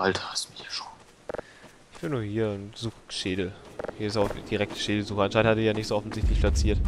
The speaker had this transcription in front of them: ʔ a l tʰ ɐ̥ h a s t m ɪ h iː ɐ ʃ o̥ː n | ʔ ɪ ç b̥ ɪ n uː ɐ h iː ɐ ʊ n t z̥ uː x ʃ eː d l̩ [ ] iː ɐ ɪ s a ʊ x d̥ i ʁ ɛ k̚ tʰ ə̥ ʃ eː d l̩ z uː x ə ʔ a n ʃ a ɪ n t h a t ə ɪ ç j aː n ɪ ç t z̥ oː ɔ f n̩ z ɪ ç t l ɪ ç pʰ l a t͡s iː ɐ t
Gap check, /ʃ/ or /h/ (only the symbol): h